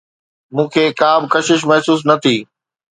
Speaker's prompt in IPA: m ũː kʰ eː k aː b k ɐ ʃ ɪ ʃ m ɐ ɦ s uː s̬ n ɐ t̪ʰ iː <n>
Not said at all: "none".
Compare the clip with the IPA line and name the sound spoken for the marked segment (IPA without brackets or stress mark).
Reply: none